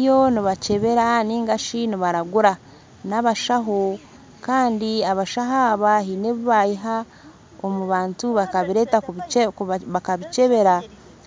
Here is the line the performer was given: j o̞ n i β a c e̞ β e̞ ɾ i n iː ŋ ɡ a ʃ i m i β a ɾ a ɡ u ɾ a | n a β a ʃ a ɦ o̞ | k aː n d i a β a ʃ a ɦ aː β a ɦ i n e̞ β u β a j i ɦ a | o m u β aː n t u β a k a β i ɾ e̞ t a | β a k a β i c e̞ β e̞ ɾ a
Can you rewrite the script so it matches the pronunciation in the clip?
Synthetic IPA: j o̞ n i β a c e̞ β e̞ ɾ a n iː ŋ ɡ a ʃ i n i β a ɾ a ɡ u ɾ a | n a β a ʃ a ɦ o̞ | k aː n d i a β a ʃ a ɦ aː β a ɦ i n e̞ β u β a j i ɦ a | o m u β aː n t u β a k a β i ɾ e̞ t a | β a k a β i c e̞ β e̞ ɾ a